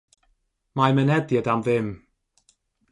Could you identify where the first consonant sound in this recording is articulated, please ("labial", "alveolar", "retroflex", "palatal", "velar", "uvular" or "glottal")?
labial